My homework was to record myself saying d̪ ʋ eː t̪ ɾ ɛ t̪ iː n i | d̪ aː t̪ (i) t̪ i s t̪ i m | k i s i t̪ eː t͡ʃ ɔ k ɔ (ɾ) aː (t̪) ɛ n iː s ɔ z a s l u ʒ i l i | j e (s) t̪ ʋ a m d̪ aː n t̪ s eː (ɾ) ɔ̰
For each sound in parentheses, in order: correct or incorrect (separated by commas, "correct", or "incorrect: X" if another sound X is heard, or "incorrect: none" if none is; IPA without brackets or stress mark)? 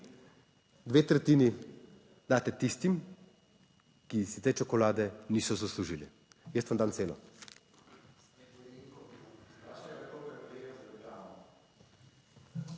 incorrect: ɛ, incorrect: l, incorrect: d̪, correct, incorrect: l